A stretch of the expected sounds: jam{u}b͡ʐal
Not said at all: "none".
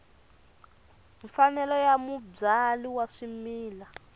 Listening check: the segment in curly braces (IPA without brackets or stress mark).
u